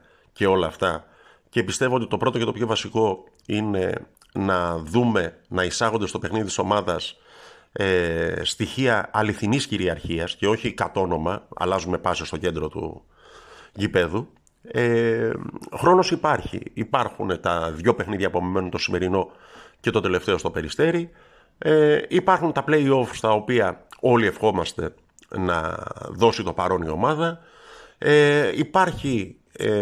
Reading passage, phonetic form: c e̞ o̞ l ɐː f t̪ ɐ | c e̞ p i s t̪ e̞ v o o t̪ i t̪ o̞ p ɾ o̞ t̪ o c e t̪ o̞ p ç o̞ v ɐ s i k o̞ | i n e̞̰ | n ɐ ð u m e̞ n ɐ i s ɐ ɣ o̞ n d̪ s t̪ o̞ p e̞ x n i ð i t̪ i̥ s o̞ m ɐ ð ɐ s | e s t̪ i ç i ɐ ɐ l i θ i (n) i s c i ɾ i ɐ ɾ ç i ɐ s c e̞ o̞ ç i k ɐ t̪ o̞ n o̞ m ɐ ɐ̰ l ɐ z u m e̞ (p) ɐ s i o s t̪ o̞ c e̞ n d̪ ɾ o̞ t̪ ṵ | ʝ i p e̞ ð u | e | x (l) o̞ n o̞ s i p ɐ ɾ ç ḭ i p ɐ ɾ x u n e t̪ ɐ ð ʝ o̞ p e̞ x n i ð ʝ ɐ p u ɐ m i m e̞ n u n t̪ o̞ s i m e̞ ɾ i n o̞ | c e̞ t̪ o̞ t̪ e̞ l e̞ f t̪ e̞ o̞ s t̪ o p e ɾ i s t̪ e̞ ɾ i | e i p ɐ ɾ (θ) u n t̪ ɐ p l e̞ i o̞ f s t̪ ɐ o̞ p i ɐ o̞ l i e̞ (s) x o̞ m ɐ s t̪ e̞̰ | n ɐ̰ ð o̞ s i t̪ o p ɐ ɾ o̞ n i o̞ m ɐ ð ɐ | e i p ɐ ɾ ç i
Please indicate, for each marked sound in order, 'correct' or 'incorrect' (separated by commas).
correct, correct, incorrect, incorrect, incorrect